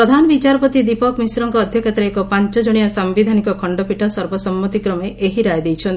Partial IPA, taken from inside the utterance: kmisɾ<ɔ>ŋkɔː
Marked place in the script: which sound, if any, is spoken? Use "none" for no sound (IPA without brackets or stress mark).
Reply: ɔ